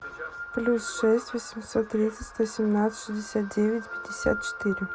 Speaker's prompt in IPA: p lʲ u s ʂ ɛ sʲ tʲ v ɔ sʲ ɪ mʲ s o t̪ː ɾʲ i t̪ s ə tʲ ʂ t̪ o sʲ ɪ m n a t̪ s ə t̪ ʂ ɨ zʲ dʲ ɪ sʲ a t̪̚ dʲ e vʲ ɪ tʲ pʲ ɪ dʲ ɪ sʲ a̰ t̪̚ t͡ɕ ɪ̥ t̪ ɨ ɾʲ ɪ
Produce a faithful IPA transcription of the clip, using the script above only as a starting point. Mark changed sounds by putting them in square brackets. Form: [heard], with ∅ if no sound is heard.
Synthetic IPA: p lʲ u s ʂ ɛ sʲ tʲ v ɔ sʲ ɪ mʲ s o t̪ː ɾʲ i t̪ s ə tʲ [s] t̪ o sʲ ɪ m n a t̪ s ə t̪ ʂ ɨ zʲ dʲ ɪ sʲ a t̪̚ dʲ e vʲ ɪ tʲ pʲ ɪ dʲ ɪ sʲ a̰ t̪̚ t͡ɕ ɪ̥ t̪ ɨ ɾʲ ɪ